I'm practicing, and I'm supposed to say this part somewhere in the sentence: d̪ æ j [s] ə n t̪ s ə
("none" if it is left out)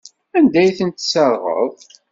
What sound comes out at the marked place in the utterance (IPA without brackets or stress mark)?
θ